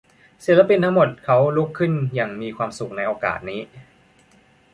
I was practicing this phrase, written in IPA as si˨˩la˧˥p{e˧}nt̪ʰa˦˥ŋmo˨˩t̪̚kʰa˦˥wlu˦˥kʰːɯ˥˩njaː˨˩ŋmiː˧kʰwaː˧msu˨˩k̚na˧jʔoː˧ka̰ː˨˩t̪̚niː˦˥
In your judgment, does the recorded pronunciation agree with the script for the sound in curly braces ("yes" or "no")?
no